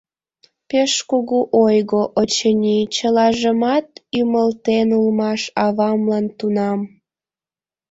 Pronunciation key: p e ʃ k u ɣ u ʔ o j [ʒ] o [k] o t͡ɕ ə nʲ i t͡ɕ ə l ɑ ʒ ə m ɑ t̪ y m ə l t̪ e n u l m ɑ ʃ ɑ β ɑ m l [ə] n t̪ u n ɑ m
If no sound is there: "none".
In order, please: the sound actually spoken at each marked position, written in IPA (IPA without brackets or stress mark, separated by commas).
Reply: ɣ, ʔ, ɑ